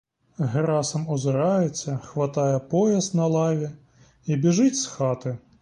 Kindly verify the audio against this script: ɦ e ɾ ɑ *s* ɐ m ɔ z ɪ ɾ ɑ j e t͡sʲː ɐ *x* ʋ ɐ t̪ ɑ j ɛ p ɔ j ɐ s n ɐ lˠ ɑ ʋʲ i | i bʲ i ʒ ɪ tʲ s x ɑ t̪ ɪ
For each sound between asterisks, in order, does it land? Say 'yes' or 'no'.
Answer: yes, yes

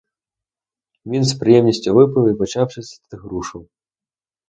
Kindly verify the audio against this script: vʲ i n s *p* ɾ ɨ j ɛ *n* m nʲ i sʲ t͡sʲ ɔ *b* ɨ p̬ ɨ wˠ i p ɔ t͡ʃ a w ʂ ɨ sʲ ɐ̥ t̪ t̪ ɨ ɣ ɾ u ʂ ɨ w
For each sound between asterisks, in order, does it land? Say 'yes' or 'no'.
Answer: yes, no, no

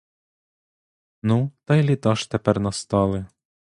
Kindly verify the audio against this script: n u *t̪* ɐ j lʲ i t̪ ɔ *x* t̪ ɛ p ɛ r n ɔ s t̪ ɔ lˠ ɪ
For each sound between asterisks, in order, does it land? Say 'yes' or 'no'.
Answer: yes, no

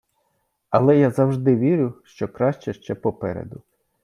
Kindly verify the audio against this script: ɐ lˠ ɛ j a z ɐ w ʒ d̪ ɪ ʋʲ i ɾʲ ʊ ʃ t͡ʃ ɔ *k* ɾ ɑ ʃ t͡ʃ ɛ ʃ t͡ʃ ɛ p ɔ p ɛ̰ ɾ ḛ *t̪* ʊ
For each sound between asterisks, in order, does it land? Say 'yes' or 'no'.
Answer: yes, no

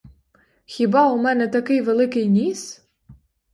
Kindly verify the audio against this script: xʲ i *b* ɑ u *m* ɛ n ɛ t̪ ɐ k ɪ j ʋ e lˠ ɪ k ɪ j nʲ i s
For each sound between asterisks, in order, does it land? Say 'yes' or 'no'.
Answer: yes, yes

